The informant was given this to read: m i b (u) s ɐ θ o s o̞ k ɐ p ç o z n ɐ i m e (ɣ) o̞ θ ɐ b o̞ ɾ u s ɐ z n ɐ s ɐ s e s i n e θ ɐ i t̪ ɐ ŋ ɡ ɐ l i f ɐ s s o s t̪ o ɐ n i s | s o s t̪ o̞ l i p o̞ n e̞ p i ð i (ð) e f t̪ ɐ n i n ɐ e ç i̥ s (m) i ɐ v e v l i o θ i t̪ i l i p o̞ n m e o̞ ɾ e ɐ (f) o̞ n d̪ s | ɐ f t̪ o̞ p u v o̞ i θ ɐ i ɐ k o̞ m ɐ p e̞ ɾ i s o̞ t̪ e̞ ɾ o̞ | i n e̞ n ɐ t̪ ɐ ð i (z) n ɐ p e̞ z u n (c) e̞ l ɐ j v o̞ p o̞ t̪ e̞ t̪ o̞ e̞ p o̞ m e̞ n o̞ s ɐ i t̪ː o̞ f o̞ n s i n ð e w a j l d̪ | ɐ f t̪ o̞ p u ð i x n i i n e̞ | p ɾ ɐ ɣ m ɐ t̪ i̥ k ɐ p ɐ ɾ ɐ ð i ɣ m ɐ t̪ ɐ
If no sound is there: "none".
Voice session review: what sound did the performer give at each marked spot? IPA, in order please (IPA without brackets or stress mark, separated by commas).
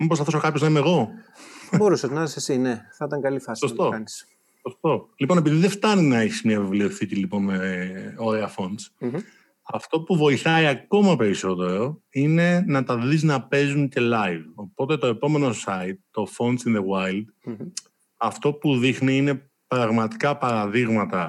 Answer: o, ɣ, ð, m, f, z, c